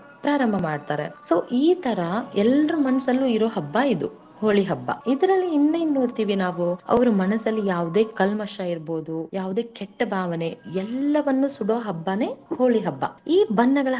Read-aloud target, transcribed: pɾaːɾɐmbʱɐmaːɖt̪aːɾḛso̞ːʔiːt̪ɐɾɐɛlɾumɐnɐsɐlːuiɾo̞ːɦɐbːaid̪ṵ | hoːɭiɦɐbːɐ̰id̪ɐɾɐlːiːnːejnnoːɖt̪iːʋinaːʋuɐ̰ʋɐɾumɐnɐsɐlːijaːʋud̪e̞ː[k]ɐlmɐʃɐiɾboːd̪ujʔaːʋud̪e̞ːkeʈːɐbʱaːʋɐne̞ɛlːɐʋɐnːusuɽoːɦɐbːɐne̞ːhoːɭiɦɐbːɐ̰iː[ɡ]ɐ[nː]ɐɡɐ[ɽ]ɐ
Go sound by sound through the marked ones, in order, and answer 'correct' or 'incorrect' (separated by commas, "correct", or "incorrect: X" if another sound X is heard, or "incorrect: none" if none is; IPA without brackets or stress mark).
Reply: correct, incorrect: b, correct, incorrect: ɭ